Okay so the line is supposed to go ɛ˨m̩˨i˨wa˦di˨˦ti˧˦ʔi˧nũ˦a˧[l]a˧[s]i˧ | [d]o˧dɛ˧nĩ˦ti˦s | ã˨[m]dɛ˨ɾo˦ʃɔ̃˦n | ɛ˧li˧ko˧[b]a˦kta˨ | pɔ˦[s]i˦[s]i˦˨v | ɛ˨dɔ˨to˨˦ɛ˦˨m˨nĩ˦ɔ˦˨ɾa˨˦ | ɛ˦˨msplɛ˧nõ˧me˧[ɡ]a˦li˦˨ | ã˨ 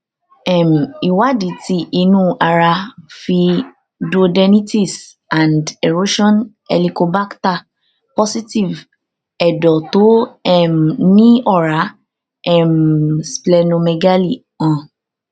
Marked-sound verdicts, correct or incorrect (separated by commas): incorrect, incorrect, correct, incorrect, correct, correct, incorrect, correct